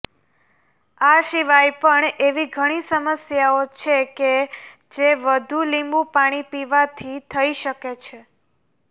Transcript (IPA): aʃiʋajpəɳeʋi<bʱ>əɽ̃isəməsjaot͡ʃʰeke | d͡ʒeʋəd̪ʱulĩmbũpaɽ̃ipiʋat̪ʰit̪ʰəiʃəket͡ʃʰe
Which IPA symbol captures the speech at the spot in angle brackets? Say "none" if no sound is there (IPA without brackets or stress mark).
ɡʱ